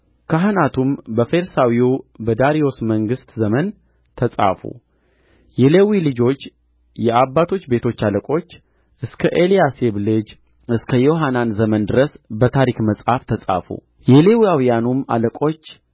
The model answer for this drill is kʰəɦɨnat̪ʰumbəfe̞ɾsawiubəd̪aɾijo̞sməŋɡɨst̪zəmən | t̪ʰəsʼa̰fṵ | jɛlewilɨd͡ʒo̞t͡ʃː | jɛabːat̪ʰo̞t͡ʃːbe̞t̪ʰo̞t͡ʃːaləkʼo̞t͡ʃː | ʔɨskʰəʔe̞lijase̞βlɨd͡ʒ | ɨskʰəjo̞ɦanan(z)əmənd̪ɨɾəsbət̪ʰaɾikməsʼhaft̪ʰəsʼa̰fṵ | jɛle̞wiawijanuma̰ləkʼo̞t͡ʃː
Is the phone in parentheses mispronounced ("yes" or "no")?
no